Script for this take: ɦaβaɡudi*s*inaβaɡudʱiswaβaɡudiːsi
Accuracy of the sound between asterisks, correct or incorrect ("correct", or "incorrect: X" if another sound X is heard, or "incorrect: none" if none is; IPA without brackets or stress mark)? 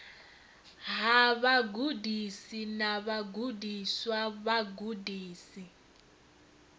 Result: correct